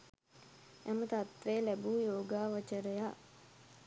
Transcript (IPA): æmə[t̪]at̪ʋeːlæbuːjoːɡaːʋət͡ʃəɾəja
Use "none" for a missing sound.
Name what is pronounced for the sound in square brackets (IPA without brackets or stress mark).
t̪